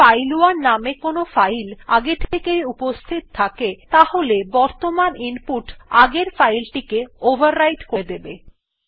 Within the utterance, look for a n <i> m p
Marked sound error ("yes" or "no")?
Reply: no